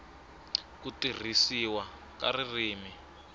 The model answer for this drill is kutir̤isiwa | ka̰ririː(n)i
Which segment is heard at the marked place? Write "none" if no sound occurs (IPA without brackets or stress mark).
m